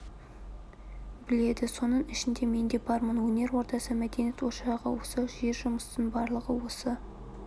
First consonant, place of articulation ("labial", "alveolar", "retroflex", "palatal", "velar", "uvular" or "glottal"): labial